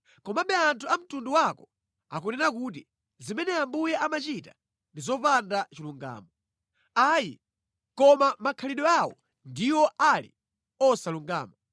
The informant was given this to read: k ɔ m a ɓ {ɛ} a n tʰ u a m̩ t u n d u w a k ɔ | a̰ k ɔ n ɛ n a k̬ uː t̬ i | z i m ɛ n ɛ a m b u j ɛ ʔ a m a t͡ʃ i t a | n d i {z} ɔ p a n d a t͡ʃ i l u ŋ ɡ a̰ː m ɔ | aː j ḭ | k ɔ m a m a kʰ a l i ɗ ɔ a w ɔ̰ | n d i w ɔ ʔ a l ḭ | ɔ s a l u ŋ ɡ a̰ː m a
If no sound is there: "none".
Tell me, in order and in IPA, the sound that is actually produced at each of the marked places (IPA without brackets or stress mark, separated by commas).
ɛ, z